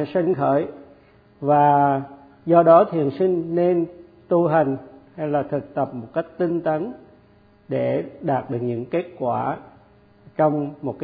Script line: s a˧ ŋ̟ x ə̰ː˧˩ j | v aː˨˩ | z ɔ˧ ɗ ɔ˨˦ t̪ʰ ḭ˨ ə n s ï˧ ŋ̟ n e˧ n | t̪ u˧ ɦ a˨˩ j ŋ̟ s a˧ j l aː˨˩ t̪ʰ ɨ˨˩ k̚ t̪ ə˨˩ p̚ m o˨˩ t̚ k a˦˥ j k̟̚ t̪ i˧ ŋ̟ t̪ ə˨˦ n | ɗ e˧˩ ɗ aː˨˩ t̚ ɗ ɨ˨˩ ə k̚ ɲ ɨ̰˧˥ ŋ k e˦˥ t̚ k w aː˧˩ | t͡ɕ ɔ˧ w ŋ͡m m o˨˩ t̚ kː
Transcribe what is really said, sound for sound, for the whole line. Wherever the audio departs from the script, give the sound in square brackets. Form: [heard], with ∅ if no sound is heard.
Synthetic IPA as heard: s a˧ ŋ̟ x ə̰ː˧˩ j | v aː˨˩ | z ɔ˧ ɗ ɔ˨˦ t̪ʰ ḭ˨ ə n s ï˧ ŋ̟ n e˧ n | t̪ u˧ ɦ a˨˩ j ŋ̟ [h] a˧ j l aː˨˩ t̪ʰ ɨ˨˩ k̚ t̪ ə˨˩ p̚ m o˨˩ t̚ k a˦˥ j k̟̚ t̪ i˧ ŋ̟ t̪ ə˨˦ n | ɗ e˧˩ ɗ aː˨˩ t̚ ɗ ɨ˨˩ ə k̚ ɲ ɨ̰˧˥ ŋ k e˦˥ t̚ k w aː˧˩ | t͡ɕ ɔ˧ w ŋ͡m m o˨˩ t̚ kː